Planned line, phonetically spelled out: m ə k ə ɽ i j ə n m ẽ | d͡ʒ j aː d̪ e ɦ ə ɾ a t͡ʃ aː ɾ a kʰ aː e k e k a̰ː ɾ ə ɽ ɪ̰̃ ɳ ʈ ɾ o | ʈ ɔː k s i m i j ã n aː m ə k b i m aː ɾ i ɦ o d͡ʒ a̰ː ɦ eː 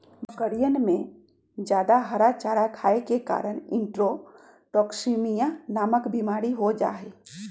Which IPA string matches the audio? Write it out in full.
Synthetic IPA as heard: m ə k ə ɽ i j ə n m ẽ | d͡ʒ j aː d̪ a ɦ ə ɾ a t͡ʃ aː ɾ a kʰ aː e k e k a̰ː ɾ ə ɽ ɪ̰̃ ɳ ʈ ɾ o | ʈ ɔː k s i m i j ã n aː m ə k b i m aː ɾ i ɦ o d͡ʒ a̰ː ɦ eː